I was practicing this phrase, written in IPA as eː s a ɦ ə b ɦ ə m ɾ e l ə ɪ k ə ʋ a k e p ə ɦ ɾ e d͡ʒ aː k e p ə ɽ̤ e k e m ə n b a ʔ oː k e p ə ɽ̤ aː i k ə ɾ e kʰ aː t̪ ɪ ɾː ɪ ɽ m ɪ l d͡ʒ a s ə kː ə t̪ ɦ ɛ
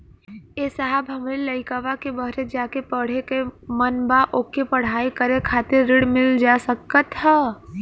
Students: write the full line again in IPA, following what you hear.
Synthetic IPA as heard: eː s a ɦ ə b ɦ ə m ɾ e l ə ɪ k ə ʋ a k e b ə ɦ ɾ e d͡ʒ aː k e p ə ɽ̤ e k e m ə n b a ʔ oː k e p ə ɽ̤ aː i k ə ɾ e kʰ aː t̪ ɪ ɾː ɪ ɽ m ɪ l d͡ʒ a s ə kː ə t̪ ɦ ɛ